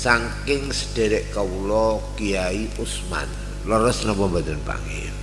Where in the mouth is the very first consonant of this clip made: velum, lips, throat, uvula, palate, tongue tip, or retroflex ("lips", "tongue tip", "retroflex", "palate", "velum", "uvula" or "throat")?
tongue tip